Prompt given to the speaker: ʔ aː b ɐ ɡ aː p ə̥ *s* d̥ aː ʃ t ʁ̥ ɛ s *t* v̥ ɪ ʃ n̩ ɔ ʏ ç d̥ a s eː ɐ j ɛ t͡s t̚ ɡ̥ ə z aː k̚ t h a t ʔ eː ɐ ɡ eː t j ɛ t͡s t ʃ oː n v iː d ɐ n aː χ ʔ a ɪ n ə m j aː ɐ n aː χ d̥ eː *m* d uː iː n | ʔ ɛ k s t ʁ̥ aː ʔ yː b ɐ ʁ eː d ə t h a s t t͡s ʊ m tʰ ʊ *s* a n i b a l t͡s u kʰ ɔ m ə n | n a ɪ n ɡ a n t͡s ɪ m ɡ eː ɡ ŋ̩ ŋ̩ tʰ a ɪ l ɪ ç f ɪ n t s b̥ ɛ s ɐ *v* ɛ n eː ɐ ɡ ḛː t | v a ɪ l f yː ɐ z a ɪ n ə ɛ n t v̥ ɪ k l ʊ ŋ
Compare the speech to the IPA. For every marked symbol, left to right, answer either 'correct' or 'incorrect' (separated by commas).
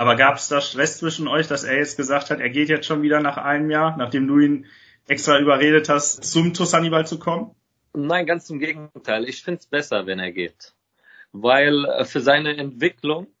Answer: correct, incorrect, correct, correct, correct